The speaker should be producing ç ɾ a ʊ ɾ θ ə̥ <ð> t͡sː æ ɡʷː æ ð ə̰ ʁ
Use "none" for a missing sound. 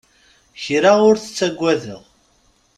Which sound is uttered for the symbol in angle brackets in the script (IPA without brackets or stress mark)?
none